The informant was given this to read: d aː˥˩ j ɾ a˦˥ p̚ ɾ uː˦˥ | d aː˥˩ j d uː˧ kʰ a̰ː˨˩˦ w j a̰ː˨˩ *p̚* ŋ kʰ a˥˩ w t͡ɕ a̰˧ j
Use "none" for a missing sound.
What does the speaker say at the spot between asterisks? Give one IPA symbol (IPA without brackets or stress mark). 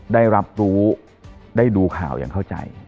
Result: none